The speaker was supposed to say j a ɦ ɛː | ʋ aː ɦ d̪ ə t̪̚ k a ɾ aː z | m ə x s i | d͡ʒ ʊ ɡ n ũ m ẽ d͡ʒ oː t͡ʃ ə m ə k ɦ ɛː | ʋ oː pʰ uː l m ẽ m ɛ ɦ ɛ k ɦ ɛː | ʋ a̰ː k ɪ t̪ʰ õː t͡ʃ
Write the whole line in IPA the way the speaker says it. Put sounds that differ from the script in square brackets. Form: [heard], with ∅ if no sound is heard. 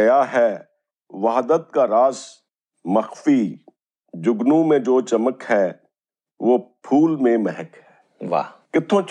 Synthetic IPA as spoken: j a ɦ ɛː | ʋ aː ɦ d̪ ə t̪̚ k a ɾ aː z | m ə x [f] i | d͡ʒ ʊ ɡ n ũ m ẽ d͡ʒ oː t͡ʃ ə m ə k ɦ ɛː | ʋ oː pʰ uː l m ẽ m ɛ ɦ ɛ k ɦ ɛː | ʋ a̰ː k ɪ t̪ʰ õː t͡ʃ